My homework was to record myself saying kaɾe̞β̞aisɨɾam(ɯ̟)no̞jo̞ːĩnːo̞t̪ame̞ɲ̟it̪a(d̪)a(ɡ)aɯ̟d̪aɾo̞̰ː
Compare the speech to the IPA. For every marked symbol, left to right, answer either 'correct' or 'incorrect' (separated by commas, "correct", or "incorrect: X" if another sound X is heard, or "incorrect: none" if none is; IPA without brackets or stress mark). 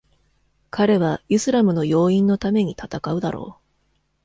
correct, incorrect: t̪, incorrect: k